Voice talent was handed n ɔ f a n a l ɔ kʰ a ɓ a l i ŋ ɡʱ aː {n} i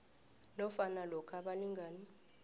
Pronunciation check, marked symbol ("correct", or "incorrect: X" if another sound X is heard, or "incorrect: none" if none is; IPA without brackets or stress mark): correct